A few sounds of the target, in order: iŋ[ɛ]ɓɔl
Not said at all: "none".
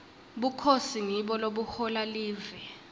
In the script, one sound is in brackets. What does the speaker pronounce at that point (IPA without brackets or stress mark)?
i